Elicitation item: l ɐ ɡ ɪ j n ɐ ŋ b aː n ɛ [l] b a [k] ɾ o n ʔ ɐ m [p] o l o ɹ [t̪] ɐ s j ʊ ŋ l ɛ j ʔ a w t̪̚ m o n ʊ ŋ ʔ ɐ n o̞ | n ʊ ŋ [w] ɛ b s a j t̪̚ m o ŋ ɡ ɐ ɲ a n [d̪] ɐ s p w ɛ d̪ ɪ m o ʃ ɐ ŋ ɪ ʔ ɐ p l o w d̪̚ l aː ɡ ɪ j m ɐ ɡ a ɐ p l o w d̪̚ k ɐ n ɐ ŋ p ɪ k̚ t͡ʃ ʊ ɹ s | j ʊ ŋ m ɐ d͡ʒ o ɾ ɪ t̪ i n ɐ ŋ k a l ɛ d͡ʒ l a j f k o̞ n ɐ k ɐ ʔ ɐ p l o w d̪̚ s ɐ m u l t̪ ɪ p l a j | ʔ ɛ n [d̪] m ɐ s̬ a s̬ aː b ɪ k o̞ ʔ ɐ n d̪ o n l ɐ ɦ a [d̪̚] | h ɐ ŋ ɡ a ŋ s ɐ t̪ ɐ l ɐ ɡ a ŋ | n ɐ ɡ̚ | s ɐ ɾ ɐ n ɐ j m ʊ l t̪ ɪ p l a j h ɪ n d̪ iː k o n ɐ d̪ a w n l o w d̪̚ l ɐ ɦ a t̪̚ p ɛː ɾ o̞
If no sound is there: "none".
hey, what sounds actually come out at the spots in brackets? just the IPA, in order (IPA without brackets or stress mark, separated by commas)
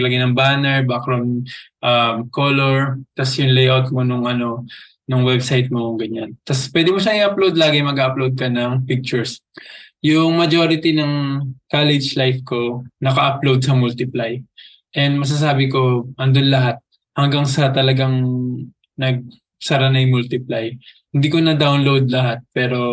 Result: ɹ, k, k, t̪, w, t̪, d̪, t̪̚